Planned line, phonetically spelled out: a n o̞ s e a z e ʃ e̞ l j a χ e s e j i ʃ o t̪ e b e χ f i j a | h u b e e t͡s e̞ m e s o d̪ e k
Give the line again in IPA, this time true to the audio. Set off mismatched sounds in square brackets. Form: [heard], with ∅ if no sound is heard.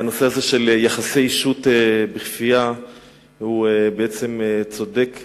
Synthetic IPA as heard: a n o̞ s e a z e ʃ e̞ l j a χ [a] s e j i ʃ [u] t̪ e b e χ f i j a | h u b e e t͡s e̞ m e [t͡s] o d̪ e k